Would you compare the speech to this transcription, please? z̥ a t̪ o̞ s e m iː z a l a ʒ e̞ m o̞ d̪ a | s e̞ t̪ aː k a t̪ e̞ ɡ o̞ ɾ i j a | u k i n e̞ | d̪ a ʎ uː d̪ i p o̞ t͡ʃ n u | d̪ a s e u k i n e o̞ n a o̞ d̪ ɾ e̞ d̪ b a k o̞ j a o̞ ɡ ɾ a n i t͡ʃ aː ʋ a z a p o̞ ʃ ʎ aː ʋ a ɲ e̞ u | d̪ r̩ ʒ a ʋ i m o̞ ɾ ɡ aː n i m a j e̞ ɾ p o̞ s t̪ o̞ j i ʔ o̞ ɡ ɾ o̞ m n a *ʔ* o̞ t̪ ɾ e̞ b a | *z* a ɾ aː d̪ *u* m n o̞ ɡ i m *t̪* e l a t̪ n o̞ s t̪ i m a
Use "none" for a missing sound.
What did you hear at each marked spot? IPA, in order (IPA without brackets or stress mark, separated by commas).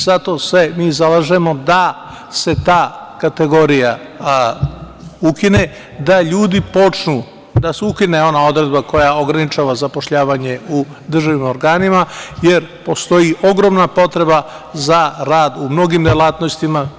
p, z, u, d̪